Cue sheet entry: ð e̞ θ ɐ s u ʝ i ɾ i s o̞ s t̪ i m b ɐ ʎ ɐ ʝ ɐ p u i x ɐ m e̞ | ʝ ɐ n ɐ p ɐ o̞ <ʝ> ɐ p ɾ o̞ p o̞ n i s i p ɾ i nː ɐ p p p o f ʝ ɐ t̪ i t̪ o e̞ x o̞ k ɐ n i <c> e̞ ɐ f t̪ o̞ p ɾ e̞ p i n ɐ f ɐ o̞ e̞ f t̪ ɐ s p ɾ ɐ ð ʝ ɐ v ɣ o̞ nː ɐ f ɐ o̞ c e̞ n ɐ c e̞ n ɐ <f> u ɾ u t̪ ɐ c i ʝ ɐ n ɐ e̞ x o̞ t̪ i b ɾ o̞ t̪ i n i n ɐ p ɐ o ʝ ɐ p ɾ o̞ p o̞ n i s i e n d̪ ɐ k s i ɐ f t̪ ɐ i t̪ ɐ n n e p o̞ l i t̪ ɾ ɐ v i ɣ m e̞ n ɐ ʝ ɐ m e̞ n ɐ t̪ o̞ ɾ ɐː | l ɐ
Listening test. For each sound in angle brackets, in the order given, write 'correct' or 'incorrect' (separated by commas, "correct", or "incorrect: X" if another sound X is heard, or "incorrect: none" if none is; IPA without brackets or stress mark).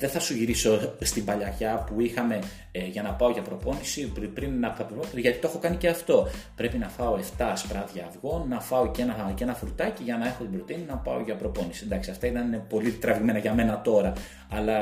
correct, correct, correct